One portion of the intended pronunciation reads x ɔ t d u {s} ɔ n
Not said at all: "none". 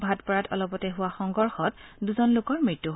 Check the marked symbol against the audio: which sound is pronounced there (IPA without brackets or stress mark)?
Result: z